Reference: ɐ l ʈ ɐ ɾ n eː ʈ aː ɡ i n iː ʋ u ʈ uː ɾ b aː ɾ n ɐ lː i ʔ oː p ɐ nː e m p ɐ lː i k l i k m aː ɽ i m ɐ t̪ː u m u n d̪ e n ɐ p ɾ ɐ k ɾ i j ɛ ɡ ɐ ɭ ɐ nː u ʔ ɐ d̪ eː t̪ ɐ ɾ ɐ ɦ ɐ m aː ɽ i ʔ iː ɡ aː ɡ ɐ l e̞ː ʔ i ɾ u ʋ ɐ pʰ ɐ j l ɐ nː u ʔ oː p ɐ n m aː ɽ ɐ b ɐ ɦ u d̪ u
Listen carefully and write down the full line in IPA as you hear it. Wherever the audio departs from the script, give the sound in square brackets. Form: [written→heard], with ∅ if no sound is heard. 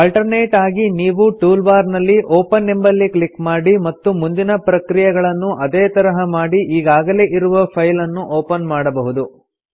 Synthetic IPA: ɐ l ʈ ɐ ɾ n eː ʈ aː ɡ i n iː ʋ u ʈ uː [ɾ→l] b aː ɾ n ɐ lː i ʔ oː p ɐ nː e m [p→b] ɐ lː i k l i k m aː ɽ i m ɐ t̪ː u m u n d̪ [e→i] n ɐ p ɾ ɐ k ɾ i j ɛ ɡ ɐ ɭ ɐ nː u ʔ ɐ d̪ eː t̪ ɐ ɾ ɐ ɦ ɐ m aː ɽ i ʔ iː ɡ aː ɡ ɐ l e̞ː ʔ i ɾ u ʋ ɐ pʰ ɐ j l ɐ nː u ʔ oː p ɐ n m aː ɽ ɐ b ɐ ɦ u d̪ u